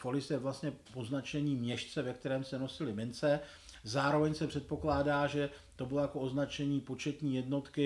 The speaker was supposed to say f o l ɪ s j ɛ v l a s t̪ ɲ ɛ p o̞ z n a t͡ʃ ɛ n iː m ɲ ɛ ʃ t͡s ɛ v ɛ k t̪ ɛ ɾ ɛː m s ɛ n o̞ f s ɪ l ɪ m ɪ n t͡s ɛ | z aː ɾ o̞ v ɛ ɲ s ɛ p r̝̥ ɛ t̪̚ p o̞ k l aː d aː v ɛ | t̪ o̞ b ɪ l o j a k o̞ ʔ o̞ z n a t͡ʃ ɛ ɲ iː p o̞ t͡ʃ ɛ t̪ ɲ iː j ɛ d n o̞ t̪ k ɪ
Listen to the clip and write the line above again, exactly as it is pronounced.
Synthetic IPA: f o l ɪ s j ɛ v l a s t̪ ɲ ɛ p o̞ z n a t͡ʃ ɛ ɲ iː m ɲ ɛ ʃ t͡s ɛ v ɛ k t̪ ɛ ɾ ɛː m s ɛ n o̞ s ɪ l ɪ m ɪ n t͡s ɛ | z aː ɾ o̞ v ɛ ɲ s ɛ p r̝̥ ɛ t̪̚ p o̞ k l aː d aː ʒ ɛ | t̪ o̞ b ɪ l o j a k o̞ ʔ o̞ z n a t͡ʃ ɛ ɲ iː p o̞ t͡ʃ ɛ t̪ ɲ iː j ɛ d n o̞ t̪ k ɪ